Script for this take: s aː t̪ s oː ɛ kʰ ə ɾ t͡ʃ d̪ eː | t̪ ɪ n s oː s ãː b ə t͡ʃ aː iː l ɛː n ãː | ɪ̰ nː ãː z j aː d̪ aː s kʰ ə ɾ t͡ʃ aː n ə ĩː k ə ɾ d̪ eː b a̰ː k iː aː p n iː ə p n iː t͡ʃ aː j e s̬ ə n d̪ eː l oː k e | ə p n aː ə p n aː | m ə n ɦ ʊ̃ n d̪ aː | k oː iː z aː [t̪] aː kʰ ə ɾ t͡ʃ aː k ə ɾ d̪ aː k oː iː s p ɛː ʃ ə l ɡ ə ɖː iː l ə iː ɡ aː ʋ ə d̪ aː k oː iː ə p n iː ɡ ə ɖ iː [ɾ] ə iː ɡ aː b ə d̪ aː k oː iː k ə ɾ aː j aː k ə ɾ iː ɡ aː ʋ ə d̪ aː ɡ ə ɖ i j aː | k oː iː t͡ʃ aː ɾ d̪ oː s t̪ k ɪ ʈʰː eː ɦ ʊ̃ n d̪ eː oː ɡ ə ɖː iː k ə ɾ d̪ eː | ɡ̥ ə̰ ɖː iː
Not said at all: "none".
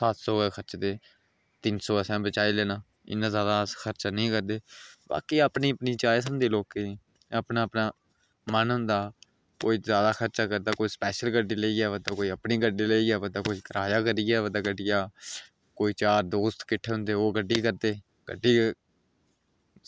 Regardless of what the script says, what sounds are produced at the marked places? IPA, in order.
d̪, l

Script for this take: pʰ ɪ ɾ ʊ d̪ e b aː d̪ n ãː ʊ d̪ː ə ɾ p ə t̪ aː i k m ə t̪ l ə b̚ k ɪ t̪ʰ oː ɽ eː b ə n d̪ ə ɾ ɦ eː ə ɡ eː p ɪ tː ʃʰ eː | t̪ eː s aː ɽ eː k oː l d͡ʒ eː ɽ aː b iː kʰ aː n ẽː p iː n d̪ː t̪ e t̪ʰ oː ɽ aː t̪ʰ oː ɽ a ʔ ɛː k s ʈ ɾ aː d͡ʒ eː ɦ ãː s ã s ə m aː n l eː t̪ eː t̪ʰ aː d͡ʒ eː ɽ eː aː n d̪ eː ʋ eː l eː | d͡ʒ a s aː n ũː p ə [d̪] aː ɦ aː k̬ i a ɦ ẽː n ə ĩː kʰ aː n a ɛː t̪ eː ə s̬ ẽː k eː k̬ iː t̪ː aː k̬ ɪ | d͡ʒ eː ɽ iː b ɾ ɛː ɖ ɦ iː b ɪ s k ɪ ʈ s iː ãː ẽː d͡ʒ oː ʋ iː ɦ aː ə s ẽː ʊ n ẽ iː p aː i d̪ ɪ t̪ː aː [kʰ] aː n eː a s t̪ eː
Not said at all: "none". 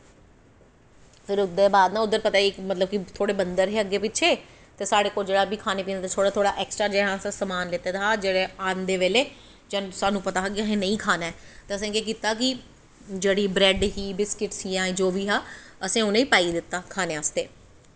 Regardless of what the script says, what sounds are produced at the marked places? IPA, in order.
t̪, kʰ

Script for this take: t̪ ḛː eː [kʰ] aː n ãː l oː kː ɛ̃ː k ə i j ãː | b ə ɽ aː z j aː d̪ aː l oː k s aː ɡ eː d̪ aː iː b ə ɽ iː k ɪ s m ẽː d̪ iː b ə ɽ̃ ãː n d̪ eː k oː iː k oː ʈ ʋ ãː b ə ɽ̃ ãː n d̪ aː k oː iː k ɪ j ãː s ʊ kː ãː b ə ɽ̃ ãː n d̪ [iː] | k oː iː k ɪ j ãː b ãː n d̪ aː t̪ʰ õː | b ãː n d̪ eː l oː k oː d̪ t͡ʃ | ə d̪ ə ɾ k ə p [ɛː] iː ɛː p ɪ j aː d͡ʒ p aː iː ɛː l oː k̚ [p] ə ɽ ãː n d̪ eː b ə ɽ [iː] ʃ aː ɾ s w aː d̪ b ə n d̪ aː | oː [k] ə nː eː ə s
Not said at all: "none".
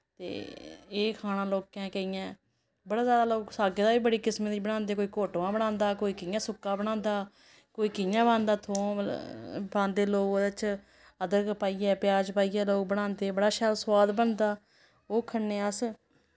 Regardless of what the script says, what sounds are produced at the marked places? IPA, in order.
kʰ, aː, aː, b, aː, kʰ

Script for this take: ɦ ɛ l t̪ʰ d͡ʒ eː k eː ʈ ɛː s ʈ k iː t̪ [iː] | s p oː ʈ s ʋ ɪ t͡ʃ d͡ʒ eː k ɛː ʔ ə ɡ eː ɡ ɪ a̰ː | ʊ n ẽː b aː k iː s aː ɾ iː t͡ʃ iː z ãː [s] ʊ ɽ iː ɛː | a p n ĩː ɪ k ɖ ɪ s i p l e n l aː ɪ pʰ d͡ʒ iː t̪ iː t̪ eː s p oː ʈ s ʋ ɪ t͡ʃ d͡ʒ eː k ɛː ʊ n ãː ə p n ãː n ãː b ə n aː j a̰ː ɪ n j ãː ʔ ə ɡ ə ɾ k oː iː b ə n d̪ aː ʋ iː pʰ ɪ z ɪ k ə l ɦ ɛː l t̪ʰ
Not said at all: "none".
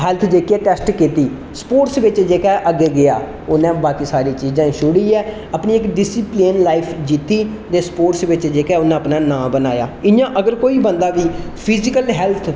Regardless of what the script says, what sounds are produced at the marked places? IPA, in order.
iː, ʃ

